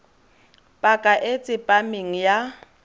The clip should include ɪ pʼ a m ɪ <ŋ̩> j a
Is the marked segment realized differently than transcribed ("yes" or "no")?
no